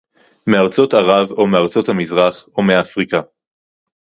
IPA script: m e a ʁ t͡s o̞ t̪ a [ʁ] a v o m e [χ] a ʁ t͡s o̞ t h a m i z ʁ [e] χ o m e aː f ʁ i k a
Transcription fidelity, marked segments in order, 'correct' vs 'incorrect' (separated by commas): correct, incorrect, incorrect